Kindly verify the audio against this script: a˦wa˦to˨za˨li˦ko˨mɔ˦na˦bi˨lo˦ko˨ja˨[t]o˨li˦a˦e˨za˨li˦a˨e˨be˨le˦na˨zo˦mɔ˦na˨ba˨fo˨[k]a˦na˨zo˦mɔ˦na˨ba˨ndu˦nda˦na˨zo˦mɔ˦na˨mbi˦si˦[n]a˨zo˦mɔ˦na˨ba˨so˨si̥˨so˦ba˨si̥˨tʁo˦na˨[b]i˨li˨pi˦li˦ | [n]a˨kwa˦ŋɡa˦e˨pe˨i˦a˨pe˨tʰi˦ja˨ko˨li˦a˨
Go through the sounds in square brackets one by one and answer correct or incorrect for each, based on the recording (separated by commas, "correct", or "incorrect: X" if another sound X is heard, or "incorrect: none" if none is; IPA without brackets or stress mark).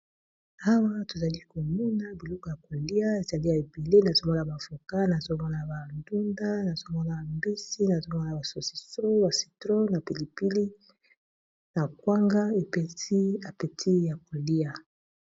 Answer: incorrect: k, correct, correct, incorrect: p, correct